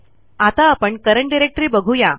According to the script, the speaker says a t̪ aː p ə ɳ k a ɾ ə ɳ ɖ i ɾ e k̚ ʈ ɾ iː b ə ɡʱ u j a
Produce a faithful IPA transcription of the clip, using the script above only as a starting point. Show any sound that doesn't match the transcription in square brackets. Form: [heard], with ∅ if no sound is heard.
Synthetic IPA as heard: a t̪ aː p ə ɳ k [ə] ɾ ə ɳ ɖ i ɾ e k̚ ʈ ɾ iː b ə ɡʱ u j a